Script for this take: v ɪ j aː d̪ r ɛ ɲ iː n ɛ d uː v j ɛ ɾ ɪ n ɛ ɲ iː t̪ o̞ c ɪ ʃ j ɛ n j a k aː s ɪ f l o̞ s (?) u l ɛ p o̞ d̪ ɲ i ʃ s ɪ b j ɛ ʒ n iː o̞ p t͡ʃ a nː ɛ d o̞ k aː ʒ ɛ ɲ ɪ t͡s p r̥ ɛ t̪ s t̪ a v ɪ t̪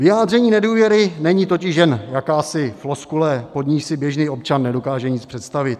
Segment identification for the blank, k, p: k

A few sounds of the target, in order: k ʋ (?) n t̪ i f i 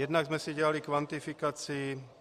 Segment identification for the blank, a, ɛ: a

